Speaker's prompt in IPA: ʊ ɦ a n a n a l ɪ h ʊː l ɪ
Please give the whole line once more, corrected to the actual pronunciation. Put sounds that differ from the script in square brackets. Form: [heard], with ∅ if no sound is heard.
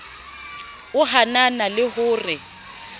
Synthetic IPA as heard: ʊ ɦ a n a n a l ɪ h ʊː [r] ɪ